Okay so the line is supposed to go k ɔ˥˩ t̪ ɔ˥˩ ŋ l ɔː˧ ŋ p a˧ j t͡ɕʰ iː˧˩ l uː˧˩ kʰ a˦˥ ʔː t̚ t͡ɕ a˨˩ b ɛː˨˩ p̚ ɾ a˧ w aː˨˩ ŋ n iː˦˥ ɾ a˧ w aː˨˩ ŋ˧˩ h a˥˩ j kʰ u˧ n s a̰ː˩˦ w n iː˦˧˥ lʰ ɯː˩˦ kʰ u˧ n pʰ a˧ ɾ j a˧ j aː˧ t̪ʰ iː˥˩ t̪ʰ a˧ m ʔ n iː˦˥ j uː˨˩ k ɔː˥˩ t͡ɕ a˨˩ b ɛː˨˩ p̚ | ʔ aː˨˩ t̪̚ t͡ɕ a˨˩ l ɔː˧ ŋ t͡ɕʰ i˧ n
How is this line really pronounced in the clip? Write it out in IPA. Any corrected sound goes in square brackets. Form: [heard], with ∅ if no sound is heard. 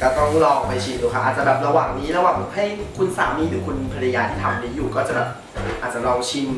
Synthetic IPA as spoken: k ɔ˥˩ t̪ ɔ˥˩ ŋ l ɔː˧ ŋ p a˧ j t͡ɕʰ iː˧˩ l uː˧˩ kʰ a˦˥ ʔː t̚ t͡ɕ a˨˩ b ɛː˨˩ p̚ ɾ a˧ w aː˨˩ ŋ n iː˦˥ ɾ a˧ w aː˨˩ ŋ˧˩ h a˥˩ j kʰ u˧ n s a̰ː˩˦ w n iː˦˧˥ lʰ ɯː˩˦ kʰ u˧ n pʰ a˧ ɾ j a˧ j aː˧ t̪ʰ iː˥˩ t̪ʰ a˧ m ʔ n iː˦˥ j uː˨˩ k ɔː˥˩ t͡ɕ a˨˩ b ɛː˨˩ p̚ | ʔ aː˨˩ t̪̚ t͡ɕ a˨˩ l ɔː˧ ŋ t͡ɕʰ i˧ n